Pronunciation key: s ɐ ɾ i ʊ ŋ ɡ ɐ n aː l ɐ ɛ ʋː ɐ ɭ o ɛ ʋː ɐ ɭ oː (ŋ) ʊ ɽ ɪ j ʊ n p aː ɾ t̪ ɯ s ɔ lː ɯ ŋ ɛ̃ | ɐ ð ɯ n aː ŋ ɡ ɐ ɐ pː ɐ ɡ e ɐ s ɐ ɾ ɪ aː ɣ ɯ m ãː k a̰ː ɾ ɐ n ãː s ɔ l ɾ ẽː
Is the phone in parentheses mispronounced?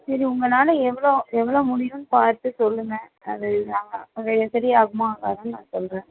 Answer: yes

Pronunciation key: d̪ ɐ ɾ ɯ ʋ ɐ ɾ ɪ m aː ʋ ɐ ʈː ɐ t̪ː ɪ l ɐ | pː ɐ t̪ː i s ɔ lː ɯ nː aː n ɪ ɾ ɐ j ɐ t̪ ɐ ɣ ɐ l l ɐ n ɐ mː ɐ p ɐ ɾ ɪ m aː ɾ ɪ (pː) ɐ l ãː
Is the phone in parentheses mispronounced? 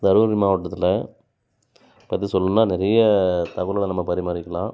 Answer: yes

